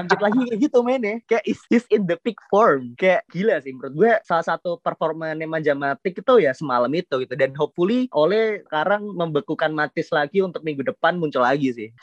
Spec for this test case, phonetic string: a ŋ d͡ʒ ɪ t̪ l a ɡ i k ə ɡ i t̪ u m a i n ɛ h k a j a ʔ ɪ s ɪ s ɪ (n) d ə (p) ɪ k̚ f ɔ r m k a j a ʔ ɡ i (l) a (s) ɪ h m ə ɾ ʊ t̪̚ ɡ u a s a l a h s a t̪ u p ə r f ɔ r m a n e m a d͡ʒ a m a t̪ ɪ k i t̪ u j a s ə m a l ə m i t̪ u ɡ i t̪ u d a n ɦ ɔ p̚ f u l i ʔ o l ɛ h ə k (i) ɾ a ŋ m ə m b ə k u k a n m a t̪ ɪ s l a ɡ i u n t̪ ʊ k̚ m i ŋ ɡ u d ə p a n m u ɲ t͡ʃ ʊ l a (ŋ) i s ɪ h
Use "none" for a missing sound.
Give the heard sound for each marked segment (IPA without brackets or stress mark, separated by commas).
n, p, l, s, a, ɡ